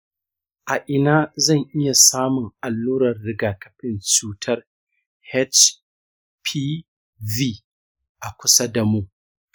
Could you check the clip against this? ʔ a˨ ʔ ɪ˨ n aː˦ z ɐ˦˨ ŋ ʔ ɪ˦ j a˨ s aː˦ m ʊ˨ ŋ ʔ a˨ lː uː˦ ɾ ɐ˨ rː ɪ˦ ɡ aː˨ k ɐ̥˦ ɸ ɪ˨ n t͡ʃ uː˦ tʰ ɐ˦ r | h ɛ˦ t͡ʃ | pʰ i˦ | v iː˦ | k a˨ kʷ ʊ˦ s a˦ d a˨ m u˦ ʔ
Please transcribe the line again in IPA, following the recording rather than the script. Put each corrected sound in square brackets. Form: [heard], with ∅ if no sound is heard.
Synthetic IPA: ʔ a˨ ʔ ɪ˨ n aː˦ z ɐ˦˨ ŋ ʔ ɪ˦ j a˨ s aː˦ m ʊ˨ ŋ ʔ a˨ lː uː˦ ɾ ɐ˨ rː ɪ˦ ɡ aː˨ k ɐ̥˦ ɸ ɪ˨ n t͡ʃ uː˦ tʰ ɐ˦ r | h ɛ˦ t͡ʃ | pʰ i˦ | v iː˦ | [ʔ] a˨ kʷ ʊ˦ s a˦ d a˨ m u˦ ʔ